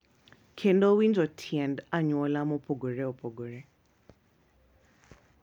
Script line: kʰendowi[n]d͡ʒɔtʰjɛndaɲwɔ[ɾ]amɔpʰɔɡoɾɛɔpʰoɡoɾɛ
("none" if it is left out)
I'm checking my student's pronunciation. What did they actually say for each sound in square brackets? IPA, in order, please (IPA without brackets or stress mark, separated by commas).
n, l